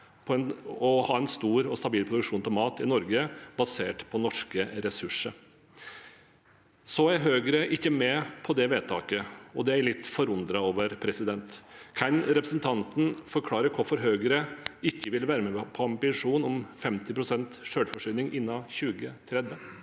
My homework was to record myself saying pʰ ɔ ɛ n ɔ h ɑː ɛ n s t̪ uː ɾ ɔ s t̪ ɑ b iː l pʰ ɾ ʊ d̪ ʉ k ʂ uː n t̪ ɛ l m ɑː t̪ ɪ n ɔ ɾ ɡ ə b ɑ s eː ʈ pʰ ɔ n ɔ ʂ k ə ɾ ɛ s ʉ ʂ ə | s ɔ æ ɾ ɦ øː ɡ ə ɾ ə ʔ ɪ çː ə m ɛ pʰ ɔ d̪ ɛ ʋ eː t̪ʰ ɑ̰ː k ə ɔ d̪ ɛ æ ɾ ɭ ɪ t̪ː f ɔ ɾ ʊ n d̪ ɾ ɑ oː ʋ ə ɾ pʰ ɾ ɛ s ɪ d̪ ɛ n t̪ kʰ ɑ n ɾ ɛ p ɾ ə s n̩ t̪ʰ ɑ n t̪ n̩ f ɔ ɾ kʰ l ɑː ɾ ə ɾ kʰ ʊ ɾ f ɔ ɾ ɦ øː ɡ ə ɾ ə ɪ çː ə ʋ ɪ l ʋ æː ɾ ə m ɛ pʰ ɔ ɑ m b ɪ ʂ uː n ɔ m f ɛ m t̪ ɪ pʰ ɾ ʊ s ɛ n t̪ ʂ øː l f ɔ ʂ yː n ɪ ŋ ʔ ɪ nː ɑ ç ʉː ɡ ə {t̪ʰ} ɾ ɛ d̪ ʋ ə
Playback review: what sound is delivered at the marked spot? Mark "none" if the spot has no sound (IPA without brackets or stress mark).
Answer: t̪ʰ